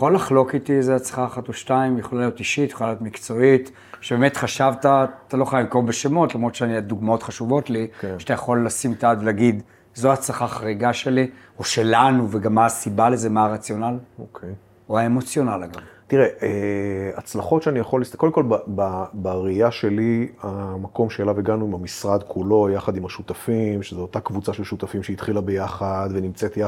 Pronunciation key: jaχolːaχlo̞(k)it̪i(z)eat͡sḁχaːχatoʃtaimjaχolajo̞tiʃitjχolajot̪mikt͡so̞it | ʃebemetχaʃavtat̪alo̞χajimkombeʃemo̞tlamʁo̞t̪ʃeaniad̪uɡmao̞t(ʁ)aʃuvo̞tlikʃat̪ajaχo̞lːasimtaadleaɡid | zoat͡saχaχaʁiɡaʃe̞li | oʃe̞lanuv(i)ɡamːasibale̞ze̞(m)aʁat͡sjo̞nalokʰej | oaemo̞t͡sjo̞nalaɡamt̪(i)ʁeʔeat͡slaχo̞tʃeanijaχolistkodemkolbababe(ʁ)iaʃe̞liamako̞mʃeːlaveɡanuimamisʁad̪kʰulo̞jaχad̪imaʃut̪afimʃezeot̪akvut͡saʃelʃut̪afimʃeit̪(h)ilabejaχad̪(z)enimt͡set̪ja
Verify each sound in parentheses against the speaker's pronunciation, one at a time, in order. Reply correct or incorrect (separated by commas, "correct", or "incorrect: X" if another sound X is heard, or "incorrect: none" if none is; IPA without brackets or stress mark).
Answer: correct, correct, incorrect: χ, incorrect: e, correct, correct, correct, incorrect: χ, incorrect: v